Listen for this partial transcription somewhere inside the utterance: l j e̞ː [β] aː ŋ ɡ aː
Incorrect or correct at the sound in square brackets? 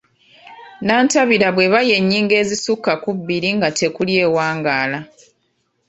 incorrect: w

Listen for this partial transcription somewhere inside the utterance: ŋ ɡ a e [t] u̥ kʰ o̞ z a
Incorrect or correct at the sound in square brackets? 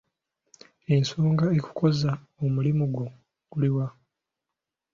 incorrect: k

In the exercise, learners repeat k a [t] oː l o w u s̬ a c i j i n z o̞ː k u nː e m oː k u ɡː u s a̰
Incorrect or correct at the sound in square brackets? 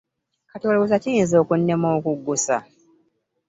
correct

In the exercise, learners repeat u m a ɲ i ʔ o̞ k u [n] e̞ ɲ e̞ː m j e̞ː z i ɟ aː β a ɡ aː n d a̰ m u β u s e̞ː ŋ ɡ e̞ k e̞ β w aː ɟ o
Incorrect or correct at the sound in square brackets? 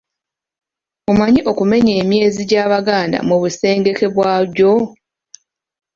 incorrect: m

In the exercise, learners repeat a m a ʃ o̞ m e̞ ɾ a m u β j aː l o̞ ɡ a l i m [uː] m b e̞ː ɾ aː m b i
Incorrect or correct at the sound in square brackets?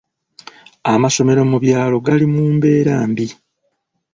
correct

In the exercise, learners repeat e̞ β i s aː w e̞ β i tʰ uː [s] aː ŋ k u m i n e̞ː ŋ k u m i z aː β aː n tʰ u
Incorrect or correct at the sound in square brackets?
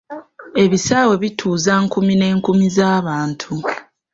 incorrect: z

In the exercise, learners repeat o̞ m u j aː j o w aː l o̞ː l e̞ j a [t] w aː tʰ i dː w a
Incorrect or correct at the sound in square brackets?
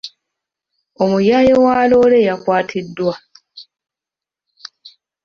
incorrect: k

